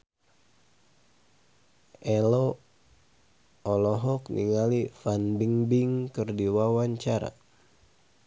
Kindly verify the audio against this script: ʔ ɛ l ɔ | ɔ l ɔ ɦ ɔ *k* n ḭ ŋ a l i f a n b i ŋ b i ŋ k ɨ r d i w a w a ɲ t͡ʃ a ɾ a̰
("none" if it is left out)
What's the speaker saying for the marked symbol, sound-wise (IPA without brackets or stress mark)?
k